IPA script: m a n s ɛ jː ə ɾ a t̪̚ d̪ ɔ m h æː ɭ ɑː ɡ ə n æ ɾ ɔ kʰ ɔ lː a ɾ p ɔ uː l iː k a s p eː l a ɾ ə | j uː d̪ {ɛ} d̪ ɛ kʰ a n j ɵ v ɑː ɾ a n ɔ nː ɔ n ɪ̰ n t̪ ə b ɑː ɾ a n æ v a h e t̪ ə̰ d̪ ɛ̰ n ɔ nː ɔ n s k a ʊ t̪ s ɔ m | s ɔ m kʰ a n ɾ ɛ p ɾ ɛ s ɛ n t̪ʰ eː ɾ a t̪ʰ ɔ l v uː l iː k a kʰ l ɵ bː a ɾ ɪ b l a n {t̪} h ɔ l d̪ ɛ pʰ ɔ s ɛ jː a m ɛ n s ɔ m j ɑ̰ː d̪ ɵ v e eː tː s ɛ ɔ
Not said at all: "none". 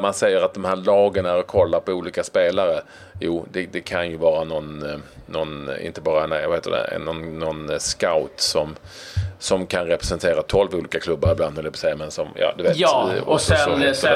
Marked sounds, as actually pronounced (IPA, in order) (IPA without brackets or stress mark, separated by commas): ɛ, d̪